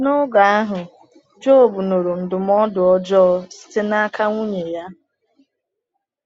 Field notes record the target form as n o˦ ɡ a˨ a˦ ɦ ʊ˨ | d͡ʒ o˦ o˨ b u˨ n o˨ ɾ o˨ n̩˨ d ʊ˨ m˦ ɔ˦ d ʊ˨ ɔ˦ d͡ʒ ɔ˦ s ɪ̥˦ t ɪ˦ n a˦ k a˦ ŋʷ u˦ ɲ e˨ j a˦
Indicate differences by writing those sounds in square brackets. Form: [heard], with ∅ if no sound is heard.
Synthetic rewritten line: n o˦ ɡ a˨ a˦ ɦ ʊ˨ | d͡ʒ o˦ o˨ b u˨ n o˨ ɾ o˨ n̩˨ d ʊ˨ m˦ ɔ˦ d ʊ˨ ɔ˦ d͡ʒ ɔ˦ s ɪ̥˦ t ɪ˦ n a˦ k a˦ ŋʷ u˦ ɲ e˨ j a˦